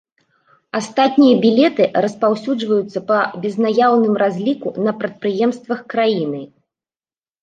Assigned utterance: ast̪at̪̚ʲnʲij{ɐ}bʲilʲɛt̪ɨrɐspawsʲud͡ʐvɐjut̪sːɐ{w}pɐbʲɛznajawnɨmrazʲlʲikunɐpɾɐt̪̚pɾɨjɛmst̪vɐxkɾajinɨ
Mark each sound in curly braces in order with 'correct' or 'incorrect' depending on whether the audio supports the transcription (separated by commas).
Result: correct, incorrect